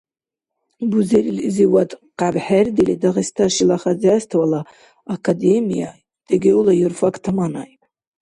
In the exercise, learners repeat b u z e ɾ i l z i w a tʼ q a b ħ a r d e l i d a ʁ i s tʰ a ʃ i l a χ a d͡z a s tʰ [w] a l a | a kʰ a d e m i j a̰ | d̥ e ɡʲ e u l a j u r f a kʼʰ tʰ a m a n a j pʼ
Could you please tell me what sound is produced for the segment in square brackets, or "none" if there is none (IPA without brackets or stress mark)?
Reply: w